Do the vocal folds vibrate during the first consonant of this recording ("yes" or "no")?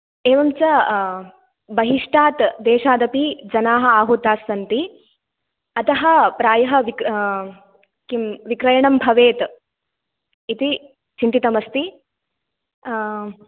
yes